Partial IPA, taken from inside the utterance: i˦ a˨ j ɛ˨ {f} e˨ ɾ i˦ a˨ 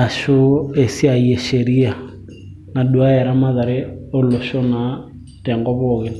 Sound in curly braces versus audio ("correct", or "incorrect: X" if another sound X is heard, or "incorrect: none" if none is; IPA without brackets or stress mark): incorrect: ʃ